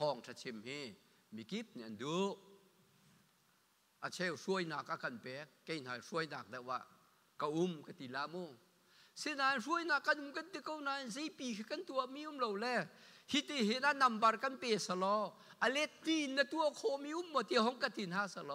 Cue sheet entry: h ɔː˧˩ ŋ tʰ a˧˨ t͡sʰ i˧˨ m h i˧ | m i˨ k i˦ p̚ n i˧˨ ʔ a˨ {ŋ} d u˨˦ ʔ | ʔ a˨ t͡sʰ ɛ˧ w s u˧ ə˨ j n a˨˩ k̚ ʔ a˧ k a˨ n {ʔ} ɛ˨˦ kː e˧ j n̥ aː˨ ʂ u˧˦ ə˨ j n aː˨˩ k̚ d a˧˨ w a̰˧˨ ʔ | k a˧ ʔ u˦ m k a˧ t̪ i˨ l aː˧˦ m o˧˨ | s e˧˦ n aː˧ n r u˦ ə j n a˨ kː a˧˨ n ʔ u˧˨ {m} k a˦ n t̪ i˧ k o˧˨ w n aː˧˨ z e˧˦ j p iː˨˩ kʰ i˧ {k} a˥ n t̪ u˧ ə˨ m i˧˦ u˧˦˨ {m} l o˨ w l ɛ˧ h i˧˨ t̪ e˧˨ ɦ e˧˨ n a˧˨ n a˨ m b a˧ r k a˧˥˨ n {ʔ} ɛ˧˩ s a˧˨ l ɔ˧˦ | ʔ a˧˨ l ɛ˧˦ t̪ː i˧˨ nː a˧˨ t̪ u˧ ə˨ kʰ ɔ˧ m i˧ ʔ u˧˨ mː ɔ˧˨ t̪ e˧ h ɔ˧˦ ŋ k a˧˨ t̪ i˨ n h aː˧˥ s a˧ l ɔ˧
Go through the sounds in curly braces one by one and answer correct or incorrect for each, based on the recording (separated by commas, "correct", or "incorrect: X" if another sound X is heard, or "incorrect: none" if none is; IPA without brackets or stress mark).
incorrect: n, incorrect: p, correct, correct, correct, incorrect: p